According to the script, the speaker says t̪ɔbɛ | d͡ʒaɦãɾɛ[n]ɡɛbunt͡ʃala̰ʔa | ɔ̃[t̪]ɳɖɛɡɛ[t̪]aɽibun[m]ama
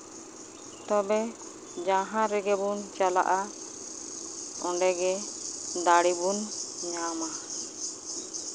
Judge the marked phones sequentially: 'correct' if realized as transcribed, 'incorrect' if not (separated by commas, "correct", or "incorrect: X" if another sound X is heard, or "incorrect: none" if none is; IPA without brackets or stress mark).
incorrect: none, incorrect: none, incorrect: d̪, incorrect: ɲ